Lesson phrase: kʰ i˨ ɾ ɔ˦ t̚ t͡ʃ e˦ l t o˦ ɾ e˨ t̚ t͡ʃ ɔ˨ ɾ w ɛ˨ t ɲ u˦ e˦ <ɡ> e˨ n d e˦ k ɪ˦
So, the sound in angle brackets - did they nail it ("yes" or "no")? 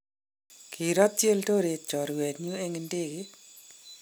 no